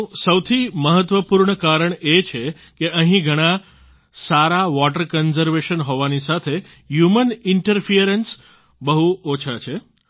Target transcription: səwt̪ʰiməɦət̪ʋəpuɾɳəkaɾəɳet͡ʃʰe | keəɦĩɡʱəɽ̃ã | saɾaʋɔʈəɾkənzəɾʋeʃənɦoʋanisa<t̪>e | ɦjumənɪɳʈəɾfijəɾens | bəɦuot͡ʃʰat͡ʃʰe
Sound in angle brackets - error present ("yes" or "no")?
yes